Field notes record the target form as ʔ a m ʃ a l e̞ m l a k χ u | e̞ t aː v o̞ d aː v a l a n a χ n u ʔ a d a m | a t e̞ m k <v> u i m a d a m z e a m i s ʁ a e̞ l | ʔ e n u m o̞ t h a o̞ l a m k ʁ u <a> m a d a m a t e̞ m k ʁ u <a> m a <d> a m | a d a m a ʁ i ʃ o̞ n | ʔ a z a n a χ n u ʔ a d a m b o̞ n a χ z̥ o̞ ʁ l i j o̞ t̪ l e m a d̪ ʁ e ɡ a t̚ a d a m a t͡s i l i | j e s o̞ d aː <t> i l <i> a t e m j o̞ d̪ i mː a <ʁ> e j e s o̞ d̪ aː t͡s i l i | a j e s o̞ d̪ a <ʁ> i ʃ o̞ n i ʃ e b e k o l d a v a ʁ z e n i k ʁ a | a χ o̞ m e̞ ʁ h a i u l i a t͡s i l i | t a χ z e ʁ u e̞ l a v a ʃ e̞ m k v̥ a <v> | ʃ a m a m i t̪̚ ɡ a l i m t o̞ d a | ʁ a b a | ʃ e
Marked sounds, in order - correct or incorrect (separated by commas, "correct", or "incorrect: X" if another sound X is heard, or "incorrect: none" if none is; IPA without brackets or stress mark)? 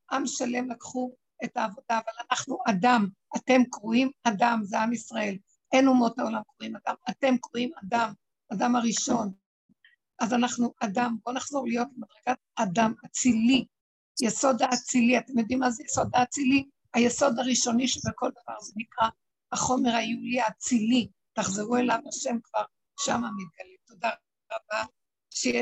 incorrect: ʁ, incorrect: i, incorrect: i, correct, incorrect: t͡s, correct, incorrect: z, correct, incorrect: ʁ